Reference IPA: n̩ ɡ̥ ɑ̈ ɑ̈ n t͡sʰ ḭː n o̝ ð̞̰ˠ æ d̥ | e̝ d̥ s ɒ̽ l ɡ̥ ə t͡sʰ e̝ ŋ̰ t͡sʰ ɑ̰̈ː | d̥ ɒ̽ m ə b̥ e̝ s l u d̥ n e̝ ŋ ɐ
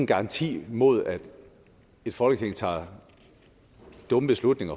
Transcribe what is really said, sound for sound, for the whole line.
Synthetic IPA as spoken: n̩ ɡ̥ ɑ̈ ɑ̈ n t͡sʰ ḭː m o̝ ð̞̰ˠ æ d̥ | e̝ d̥ f ɒ̽ l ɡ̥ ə t͡sʰ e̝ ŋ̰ t͡sʰ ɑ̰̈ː | d̥ ɔ̽ m ə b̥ e̝ s l u d̥ n e̝ ŋ ɐ